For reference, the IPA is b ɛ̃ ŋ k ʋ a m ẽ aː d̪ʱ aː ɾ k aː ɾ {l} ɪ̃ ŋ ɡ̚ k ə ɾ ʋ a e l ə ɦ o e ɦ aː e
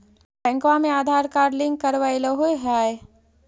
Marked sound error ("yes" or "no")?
no